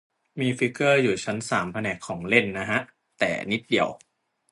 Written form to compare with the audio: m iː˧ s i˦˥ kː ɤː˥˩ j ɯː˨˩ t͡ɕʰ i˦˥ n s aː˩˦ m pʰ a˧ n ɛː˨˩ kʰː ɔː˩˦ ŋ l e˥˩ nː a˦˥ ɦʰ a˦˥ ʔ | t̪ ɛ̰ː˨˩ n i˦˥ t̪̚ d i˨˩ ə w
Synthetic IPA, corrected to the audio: m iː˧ f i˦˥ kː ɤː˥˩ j uː˨˩ t͡ɕʰ a˦˥ n s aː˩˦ m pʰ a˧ n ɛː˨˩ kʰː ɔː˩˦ ŋ l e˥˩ nː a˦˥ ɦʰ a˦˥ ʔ | t̪ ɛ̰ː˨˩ n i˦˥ t̪̚ d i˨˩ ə w